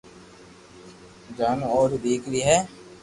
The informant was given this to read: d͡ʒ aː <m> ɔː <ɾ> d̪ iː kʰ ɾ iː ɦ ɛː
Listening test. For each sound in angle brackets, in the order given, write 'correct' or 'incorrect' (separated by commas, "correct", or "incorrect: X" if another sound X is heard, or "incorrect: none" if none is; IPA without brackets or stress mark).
incorrect: n, correct